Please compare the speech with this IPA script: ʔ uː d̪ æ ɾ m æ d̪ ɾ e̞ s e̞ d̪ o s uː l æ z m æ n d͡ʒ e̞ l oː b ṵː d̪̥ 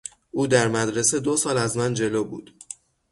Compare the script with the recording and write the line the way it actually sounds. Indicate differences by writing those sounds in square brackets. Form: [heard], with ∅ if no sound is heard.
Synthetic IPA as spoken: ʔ uː d̪ æ ɾ m æ d̪ ɾ e̞ s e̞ d̪ o s [ɒː] l æ z m æ n d͡ʒ e̞ l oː b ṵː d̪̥